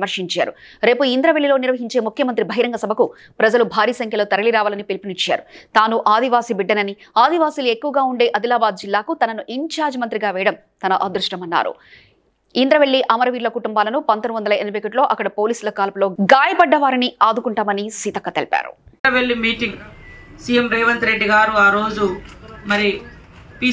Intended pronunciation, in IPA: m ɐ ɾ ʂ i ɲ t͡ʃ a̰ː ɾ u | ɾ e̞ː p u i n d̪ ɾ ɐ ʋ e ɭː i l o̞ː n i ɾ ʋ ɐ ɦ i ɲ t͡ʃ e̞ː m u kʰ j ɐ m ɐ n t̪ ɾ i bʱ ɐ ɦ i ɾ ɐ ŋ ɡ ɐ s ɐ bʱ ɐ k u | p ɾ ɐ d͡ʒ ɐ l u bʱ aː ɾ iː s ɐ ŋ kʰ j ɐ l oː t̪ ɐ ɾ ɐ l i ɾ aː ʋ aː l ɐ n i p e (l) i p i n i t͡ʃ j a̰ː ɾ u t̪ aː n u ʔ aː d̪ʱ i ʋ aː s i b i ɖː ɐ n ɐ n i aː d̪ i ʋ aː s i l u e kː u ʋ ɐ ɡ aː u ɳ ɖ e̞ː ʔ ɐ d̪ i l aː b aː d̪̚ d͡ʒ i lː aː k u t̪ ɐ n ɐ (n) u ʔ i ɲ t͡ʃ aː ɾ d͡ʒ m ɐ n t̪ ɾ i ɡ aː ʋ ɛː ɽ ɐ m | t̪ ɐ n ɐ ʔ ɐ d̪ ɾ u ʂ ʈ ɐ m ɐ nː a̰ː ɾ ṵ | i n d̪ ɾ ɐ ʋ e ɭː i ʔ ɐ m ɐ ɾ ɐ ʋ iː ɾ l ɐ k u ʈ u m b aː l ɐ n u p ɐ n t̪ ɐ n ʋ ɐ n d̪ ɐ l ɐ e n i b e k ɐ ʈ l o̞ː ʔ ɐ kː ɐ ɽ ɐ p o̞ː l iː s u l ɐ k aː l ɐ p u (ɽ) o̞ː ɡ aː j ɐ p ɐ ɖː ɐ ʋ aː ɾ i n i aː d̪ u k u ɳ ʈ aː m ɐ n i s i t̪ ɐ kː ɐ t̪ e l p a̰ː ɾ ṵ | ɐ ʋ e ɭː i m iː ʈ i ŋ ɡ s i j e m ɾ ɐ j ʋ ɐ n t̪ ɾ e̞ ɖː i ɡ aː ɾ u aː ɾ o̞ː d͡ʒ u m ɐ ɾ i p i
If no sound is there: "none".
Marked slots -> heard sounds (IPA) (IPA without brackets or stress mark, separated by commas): l, n, l